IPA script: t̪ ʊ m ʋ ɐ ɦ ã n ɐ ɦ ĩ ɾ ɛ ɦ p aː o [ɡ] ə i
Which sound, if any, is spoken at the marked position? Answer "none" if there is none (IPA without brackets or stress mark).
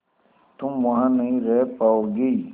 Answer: ɡ